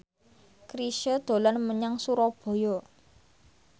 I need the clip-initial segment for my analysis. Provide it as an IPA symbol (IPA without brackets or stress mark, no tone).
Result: k